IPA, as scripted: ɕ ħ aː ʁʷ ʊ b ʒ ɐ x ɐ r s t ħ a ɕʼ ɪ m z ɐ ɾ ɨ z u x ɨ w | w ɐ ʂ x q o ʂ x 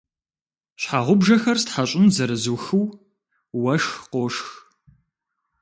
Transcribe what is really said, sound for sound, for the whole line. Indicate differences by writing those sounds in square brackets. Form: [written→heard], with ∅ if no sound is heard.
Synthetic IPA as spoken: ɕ ħ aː ʁʷ ʊ b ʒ ɐ x ɐ r s t ħ a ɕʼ ɪ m z ɐ ɾ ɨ z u x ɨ w | w ɐ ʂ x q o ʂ x